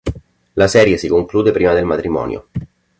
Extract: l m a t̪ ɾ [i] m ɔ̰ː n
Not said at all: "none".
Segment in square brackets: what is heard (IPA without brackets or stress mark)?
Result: i